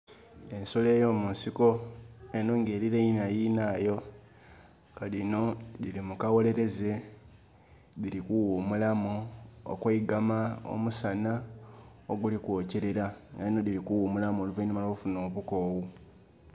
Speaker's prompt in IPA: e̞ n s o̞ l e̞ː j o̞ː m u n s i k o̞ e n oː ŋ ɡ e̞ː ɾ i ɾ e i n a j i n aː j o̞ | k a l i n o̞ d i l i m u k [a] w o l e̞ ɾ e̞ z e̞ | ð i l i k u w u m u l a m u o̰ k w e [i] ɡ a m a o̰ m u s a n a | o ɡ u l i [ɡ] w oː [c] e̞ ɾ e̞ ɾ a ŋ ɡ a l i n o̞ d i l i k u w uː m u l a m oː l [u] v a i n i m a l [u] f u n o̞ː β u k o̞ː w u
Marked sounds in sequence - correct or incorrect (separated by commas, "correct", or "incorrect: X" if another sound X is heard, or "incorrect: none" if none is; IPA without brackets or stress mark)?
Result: correct, correct, incorrect: k, correct, correct, incorrect: o